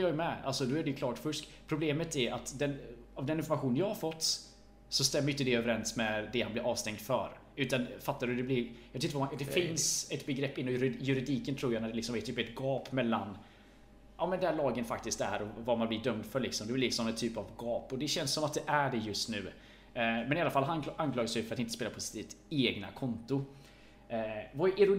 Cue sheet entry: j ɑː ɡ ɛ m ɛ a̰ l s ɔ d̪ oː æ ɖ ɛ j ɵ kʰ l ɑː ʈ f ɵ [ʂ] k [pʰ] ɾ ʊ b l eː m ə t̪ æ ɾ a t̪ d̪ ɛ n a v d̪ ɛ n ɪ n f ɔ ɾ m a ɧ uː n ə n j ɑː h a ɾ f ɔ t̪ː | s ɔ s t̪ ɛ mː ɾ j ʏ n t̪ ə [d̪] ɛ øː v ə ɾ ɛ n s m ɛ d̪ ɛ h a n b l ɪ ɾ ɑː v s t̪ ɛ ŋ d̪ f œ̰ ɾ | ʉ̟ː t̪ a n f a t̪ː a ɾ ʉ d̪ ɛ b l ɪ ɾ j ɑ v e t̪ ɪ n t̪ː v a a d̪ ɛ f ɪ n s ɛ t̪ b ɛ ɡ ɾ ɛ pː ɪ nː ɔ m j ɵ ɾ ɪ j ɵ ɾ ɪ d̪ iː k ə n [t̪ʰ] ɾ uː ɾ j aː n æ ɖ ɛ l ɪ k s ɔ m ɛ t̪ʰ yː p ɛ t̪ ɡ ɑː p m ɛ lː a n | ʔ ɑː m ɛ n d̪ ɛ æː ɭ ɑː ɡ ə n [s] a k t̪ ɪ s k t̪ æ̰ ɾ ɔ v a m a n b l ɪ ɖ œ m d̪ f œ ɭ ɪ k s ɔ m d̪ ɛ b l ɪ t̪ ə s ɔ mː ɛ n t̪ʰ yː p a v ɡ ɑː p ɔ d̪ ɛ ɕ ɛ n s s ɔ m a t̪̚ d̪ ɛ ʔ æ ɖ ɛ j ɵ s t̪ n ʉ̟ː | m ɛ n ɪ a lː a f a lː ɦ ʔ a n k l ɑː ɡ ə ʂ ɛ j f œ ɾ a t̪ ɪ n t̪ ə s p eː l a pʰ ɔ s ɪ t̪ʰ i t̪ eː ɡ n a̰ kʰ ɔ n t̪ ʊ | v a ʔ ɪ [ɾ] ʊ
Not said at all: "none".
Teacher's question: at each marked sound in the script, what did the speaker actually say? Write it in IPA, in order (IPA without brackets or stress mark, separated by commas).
ʂ, pʰ, d̪, t̪ʰ, f, ɾ